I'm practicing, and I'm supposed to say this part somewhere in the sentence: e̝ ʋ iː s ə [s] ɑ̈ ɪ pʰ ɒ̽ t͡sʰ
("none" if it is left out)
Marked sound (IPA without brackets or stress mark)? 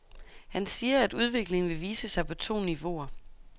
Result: s